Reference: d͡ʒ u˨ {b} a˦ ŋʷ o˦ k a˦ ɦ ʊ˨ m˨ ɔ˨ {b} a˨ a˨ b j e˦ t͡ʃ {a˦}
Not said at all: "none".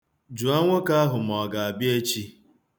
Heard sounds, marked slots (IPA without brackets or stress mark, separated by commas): none, ɡ, i˦